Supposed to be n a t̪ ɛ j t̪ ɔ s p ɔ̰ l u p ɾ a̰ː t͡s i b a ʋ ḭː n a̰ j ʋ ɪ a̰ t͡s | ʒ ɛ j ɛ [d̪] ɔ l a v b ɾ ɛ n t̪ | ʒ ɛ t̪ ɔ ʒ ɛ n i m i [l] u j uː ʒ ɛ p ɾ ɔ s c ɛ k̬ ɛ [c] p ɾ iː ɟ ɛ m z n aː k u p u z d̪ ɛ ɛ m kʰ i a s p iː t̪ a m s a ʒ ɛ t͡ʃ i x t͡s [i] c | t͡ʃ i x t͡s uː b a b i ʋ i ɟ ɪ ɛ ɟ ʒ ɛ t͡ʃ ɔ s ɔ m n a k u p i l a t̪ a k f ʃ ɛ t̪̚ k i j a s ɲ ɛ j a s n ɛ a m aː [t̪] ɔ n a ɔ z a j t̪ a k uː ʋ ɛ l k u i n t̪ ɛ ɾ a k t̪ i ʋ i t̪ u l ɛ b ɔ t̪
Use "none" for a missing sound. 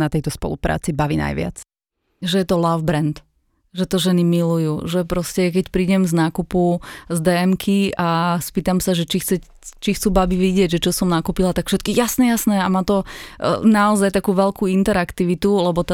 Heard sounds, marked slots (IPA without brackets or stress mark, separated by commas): t̪, l, c, ɛ, t̪